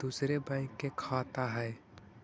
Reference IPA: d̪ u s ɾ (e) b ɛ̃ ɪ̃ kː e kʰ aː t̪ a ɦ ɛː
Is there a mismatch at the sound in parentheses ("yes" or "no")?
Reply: no